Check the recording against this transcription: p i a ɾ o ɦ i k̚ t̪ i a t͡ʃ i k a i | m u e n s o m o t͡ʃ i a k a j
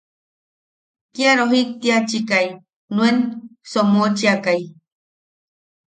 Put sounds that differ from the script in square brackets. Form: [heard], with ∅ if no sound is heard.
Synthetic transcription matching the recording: [k] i a ɾ o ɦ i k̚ t̪ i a t͡ʃ i k a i | [n] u e n s o m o t͡ʃ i a k a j